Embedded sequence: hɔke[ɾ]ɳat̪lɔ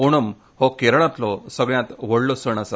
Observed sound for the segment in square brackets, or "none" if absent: ɾ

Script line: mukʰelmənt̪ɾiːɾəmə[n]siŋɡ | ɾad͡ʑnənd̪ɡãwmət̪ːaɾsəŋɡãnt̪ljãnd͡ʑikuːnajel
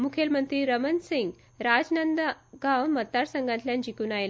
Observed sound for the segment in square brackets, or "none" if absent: n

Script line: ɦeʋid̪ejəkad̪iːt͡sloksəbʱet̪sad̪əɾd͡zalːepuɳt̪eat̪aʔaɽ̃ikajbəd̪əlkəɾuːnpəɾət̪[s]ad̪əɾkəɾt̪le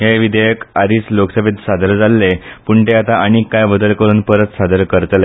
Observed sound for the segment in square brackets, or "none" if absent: s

